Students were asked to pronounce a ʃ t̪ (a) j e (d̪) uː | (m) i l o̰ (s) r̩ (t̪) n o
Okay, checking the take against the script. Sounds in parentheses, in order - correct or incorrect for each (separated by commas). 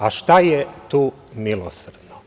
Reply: correct, incorrect, correct, correct, incorrect